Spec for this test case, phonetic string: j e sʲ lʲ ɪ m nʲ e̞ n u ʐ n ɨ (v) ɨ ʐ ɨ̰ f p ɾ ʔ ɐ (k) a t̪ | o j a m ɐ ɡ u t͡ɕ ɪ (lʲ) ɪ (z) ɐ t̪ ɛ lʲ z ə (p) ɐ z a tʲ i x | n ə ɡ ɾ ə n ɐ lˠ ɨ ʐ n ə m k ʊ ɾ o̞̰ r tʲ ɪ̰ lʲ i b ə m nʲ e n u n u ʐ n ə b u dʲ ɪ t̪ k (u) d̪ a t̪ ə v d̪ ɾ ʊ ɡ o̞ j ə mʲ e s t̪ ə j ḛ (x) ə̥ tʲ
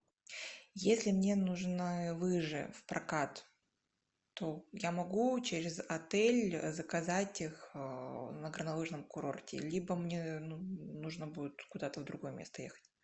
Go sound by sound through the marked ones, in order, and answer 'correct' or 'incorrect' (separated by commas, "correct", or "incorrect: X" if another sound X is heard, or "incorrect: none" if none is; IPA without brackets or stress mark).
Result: correct, correct, incorrect: ɾʲ, correct, incorrect: k, incorrect: ʊ, correct